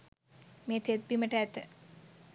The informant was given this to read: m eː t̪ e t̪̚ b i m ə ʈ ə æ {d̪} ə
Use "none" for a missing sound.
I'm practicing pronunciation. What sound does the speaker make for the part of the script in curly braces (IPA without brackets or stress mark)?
t̪